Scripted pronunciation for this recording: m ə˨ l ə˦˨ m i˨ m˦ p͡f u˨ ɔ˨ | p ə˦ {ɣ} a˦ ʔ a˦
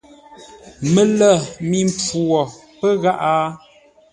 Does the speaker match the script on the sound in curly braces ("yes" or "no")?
yes